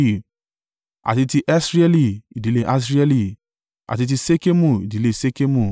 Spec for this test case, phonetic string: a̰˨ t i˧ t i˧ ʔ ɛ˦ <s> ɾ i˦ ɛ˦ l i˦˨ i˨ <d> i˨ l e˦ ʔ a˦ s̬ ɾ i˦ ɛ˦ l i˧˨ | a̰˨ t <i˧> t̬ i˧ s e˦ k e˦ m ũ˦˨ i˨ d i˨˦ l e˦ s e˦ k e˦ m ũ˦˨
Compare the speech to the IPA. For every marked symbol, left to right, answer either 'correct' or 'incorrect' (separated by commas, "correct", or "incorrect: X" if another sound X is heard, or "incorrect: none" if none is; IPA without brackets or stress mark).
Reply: correct, correct, correct